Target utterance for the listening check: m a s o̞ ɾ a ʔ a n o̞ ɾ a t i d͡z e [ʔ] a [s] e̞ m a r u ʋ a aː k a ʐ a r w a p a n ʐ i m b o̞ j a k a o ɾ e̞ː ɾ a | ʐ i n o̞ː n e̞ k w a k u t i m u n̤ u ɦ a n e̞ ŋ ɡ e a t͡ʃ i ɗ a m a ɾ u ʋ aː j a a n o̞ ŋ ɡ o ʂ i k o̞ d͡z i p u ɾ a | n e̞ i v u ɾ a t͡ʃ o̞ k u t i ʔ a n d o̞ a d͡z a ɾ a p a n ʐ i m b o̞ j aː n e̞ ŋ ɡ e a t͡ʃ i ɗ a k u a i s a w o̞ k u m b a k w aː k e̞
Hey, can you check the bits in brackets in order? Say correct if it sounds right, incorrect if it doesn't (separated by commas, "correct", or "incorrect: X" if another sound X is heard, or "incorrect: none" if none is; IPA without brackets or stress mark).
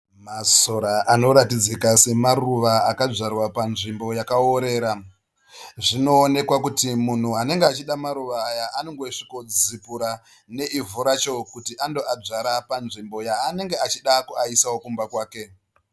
incorrect: k, correct